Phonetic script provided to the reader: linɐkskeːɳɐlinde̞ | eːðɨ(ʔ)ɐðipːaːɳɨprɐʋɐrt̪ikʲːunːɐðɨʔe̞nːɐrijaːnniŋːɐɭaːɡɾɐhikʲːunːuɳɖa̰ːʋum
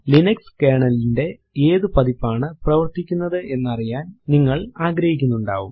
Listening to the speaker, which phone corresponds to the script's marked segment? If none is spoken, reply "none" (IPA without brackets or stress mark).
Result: p